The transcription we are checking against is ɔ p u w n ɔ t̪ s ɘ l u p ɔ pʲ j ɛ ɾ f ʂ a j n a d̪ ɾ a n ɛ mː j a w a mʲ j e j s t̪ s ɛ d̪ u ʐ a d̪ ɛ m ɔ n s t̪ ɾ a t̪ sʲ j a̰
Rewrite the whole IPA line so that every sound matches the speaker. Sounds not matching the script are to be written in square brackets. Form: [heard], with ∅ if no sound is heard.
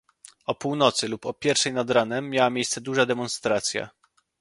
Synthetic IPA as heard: ɔ p u w n ɔ t̪ s ɘ l u p ɔ pʲ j ɛ ɾ f ʂ [ɛ] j n a d̪ ɾ a n ɛ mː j a w a mʲ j e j s t̪ s ɛ d̪ u ʐ a d̪ ɛ m ɔ n s t̪ ɾ a t̪ sʲ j a̰